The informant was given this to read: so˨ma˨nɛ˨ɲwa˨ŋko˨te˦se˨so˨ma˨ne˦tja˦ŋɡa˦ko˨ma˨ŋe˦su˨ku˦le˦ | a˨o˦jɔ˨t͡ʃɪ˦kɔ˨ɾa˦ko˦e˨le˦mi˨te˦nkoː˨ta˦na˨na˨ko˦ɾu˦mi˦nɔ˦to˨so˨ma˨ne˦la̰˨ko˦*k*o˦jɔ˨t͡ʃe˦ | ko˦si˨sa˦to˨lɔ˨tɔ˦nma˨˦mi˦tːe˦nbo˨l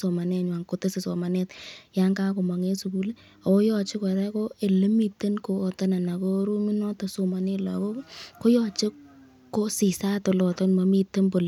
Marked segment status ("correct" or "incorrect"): correct